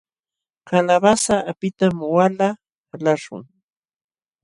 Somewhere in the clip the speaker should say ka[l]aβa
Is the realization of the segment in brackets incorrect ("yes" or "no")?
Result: no